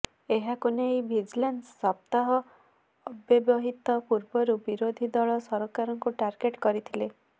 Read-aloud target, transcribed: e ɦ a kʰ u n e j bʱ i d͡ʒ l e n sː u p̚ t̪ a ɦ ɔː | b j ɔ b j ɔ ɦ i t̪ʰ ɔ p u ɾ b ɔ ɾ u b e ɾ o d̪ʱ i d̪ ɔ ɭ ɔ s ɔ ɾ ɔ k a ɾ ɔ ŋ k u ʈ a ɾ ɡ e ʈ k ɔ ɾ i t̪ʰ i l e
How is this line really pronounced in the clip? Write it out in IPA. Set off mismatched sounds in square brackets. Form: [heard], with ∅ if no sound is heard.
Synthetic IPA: e ɦ a [k] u n e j bʱ i d͡ʒ l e n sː [ɔ] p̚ t̪ a ɦ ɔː | b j ɔ b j ɔ ɦ i [t̪] ɔ p u ɾ b ɔ ɾ u b [i] ɾ o d̪ʱ i d̪ ɔ ɭ ɔ s ɔ ɾ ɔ k a ɾ ɔ ŋ k u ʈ a ɾ ɡ e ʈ k ɔ ɾ i t̪ʰ i l e